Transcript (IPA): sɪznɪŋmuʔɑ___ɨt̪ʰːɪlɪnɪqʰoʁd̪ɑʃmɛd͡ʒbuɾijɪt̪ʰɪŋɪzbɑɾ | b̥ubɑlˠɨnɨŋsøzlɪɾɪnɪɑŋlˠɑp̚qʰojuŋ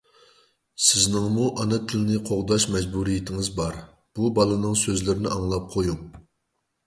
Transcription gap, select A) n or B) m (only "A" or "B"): A